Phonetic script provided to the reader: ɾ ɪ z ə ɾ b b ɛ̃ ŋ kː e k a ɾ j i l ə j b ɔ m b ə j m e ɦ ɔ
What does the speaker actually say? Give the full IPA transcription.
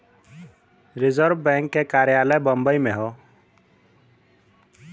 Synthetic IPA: ɾ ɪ z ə ɾ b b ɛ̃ ŋ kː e k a ɾ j a l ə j b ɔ m b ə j m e ɦ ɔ